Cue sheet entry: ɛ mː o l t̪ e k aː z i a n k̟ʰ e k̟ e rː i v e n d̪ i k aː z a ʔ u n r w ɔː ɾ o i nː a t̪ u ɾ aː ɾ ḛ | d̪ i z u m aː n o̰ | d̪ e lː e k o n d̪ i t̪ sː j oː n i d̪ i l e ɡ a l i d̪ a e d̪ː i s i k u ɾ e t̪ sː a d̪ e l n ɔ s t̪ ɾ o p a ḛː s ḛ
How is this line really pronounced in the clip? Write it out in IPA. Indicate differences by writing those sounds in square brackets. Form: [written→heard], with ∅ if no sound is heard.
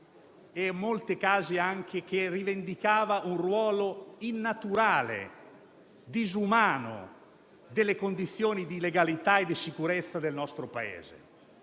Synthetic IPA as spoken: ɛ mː o l t̪ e k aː z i a [n→ŋ] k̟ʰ e k̟ e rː i v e n d̪ i k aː [z→v] a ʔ u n r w ɔː [ɾ→l] o i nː a t̪ u ɾ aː [ɾ→l] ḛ | d̪ i z u m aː n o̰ | d̪ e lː e k o n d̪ i t̪ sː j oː n i d̪ i l e ɡ a l i [d̪→t̪] a e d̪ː i s i k u ɾ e t̪ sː a d̪ e l n ɔ s t̪ ɾ o p a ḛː [s→z] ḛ

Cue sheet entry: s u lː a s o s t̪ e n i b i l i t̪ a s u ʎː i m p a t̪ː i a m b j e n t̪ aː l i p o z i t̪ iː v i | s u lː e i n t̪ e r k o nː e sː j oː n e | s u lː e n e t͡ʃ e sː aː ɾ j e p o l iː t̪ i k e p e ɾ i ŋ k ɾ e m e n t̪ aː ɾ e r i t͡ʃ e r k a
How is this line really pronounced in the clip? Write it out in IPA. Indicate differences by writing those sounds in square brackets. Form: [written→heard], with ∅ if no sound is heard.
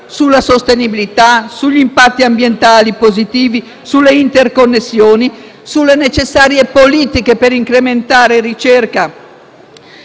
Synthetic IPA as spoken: s u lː a s o s t̪ e n i b i l i t̪ a s u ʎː i m p a t̪ː i a m b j e n t̪ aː l i p o z i t̪ iː v i | s u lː e i n t̪ e r k o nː e sː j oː n [e→i] | s u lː e n e t͡ʃ e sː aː ɾ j e p o l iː t̪ i k e p e ɾ i ŋ k ɾ e m e n t̪ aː ɾ e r i t͡ʃ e r k a

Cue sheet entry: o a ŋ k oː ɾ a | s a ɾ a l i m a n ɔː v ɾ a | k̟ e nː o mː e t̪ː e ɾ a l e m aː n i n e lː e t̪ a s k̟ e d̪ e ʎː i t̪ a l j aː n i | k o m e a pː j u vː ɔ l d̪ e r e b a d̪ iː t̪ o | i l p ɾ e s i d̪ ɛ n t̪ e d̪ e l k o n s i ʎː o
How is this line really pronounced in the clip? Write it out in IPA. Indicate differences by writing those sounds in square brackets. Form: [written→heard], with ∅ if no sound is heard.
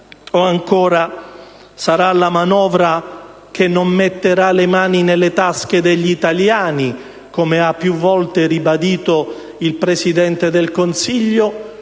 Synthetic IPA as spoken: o a ŋ k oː ɾ a | s a ɾ a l [i→a] m a n ɔː v ɾ a | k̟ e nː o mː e t̪ː e ɾ a l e m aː n i n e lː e t̪ a s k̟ e d̪ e ʎː i t̪ a l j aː n i | k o m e a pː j u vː ɔ l [d̪→t̪] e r [e→i] b a d̪ iː t̪ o | i l p ɾ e s i d̪ ɛ n t̪ e d̪ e l k o n s i ʎː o

